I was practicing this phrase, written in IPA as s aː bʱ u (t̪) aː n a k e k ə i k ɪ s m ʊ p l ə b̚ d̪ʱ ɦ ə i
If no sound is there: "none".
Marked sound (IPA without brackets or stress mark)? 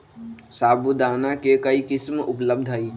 d̪